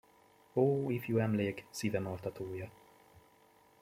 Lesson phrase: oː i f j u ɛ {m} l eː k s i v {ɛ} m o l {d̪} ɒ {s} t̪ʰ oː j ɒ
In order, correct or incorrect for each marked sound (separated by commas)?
correct, correct, incorrect, incorrect